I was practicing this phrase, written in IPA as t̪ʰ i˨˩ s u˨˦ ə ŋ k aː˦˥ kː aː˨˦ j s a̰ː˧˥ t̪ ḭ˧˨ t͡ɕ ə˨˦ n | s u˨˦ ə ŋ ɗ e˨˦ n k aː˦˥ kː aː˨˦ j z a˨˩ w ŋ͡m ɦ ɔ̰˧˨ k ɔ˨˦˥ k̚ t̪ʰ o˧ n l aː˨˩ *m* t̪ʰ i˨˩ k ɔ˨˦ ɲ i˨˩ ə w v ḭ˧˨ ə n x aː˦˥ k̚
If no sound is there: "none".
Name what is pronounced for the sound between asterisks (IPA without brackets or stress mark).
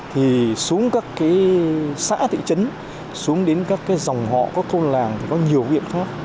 ŋ